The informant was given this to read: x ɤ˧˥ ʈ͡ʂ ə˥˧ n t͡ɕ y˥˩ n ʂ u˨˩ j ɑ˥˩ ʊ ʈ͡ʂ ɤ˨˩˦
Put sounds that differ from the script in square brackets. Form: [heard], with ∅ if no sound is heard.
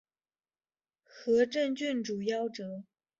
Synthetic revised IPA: x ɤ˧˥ ʈ͡ʂ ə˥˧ n t͡ɕ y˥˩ n [ʈ͡ʂ] u˨˩ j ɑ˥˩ ʊ ʈ͡ʂ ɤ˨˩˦